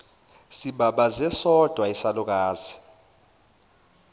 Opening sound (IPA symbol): s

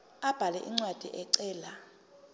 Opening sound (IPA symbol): a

